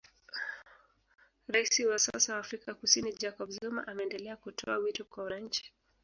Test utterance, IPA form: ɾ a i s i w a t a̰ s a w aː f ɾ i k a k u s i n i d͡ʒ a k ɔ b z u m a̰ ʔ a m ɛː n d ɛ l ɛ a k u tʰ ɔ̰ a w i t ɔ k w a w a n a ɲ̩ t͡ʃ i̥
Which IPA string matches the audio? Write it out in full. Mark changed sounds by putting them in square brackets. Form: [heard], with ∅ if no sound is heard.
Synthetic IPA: ɾ a i s i w a [s] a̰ s a w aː f ɾ i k a k u s i n i d͡ʒ a k ɔ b z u m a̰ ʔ a m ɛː n d ɛ l ɛ a k u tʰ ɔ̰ a w i t ɔ k w a w a n a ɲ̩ t͡ʃ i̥